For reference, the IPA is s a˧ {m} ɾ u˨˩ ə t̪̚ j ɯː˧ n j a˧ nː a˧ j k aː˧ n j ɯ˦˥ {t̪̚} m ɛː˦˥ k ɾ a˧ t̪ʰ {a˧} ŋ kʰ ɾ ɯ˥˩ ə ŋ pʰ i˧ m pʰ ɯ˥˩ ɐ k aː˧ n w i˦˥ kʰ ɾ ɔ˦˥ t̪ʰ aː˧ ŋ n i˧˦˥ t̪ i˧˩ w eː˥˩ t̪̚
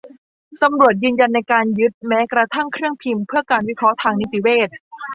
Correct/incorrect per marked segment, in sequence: correct, correct, incorrect: a˥˩

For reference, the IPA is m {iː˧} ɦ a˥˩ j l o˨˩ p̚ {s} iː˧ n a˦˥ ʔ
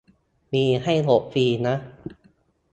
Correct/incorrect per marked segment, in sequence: correct, incorrect: f

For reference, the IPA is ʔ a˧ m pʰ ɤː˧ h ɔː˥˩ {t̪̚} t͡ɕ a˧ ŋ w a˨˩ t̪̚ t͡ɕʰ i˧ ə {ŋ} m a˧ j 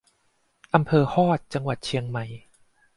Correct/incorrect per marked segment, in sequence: correct, correct

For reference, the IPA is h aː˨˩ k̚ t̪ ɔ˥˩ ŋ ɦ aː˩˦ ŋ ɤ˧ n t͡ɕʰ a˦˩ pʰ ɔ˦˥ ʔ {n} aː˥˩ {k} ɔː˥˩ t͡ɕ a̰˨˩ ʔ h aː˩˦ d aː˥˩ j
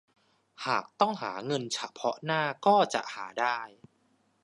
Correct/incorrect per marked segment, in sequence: correct, correct

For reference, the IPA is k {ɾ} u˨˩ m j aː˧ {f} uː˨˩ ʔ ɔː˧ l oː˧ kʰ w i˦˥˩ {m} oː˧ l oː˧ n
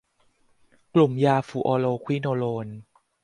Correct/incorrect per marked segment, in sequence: incorrect: l, correct, incorrect: n

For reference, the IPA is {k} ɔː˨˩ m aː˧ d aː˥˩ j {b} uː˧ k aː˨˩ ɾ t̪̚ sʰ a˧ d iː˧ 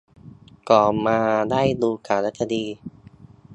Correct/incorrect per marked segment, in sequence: correct, incorrect: d

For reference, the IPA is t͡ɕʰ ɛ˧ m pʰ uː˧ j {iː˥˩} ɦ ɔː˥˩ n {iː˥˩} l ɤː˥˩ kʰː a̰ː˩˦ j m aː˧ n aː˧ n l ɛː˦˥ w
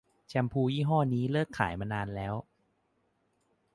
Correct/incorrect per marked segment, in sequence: correct, incorrect: iː˦˥

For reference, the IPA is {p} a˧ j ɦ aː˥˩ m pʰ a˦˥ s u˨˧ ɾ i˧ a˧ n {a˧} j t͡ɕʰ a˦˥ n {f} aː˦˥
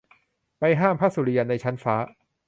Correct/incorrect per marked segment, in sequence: correct, correct, correct

